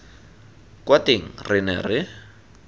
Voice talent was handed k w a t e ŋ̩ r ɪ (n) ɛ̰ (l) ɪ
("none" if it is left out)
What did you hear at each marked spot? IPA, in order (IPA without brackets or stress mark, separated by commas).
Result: n, r